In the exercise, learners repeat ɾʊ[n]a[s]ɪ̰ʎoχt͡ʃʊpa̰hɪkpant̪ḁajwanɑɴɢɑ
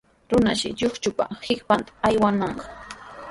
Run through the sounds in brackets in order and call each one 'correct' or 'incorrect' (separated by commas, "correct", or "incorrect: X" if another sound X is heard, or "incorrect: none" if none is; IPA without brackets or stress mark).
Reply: correct, incorrect: ʃ